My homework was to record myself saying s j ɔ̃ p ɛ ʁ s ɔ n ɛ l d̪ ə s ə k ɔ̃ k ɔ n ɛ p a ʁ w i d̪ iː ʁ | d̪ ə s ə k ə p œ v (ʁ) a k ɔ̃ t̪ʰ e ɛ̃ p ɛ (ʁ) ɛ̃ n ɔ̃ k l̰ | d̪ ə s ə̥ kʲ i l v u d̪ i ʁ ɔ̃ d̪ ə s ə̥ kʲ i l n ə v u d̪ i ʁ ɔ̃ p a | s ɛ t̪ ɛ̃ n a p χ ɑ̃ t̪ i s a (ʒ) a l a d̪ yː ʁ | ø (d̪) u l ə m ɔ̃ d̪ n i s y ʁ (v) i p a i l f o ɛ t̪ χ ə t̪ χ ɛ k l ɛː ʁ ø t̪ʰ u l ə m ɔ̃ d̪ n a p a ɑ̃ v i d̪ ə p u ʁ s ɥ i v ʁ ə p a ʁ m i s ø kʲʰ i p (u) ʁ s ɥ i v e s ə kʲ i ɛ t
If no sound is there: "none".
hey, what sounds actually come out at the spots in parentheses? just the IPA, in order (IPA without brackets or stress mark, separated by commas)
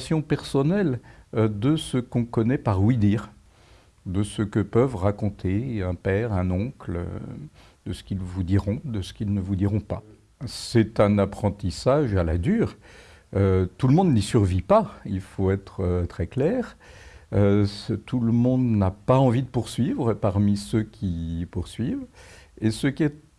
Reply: ʁ, ʁ, ʒ, t̪, v, u